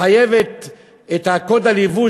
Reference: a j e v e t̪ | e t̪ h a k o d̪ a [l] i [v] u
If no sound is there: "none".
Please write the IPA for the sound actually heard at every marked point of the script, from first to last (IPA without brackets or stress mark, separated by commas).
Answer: l, v